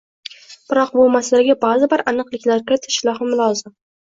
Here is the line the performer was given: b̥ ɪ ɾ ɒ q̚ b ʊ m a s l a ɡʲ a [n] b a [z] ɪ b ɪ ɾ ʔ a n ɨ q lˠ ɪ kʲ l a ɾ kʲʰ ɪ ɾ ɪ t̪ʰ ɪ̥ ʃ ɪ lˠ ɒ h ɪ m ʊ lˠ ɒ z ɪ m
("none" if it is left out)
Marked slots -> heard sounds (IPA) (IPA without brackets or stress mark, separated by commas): none, z